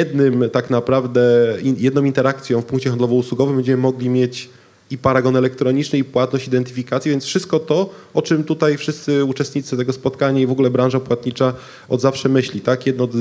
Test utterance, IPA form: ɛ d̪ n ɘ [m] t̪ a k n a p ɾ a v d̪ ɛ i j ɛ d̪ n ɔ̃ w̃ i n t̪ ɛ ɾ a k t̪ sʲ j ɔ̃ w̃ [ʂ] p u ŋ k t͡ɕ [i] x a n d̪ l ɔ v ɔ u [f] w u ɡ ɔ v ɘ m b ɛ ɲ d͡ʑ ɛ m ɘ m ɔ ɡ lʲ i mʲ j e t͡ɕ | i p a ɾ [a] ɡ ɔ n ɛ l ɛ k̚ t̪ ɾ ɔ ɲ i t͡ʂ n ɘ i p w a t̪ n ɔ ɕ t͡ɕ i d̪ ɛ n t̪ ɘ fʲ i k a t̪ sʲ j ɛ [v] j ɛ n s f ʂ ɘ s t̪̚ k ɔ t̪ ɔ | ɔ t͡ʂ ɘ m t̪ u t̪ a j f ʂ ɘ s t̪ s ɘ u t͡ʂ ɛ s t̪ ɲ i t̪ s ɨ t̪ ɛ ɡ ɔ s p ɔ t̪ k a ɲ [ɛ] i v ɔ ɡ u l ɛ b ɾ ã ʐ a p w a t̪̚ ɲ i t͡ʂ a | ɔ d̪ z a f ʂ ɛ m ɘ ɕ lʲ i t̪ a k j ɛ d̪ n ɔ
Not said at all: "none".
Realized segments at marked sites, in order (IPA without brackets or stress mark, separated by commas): m, f, ɛ, s, a, v, a